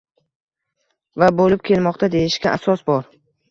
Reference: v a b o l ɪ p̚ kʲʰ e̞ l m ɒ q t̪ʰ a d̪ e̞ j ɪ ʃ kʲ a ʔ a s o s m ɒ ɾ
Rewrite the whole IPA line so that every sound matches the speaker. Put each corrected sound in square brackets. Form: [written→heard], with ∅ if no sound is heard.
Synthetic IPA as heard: v a b o l ɪ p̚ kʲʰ e̞ l m ɒ q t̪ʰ a d̪ e̞ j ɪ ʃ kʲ a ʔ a s [o→ɒ] s [m→b] ɒ ɾ